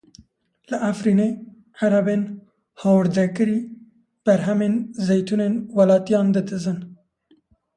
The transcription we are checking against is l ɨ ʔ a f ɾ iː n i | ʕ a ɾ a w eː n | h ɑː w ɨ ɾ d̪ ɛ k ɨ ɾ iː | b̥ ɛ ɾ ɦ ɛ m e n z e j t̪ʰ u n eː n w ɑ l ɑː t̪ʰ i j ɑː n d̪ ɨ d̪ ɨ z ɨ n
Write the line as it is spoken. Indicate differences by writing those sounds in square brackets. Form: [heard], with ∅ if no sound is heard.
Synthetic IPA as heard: l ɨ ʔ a f ɾ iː n [e] | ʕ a ɾ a [b] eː n | h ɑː w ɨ ɾ d̪ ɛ k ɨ ɾ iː | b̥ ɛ ɾ ɦ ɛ m e n z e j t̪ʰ u n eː n w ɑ l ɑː [t̪] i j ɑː n d̪ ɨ d̪ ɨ z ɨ n